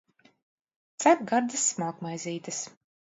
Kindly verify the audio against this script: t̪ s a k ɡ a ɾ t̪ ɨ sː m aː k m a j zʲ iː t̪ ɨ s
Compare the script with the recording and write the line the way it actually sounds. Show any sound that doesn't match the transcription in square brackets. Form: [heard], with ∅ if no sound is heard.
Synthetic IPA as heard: t̪ s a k ɡ a ɾ [d̪] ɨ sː m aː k m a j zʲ iː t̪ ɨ s